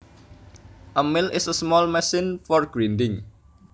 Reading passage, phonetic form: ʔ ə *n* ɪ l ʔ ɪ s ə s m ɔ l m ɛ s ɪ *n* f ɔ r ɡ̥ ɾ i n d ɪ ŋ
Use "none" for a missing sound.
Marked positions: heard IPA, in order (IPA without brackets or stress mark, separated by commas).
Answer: m, n